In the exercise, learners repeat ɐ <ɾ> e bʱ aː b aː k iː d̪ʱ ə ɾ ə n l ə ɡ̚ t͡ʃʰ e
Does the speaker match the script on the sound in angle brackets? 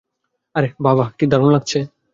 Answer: yes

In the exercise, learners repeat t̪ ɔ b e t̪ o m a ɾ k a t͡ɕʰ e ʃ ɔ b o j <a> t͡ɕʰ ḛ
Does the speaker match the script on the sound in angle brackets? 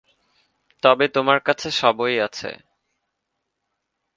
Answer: yes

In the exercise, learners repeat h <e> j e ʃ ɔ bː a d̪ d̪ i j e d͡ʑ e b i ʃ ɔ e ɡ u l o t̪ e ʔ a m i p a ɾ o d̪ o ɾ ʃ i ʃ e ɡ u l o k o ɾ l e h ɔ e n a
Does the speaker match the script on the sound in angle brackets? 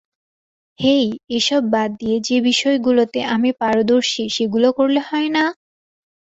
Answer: yes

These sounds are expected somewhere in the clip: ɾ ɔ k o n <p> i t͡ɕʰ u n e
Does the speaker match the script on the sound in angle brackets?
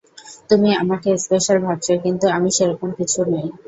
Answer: no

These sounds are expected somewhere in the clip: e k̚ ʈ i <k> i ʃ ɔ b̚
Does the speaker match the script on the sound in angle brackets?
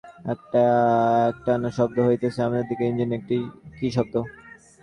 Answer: yes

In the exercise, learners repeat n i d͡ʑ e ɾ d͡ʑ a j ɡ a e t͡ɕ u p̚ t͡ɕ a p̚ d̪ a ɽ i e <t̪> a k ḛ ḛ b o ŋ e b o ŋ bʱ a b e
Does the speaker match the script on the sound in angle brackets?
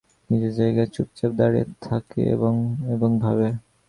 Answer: no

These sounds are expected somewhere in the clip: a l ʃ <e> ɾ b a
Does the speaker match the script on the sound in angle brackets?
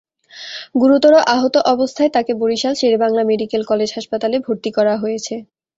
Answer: yes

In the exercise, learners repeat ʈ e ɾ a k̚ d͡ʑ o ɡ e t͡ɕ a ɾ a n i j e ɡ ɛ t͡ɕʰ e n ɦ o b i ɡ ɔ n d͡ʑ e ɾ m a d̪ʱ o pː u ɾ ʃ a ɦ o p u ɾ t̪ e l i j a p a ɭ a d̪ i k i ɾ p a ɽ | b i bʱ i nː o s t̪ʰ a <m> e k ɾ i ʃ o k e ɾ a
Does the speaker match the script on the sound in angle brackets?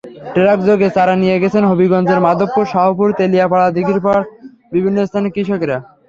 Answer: no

